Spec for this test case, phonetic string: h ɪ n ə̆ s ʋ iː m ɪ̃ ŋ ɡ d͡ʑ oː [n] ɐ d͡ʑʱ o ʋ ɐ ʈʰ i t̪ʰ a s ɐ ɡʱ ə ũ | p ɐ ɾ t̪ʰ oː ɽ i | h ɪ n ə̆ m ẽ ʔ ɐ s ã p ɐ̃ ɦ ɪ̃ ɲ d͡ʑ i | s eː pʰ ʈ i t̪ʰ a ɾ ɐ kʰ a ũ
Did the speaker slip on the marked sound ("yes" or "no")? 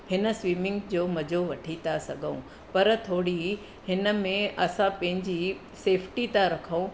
yes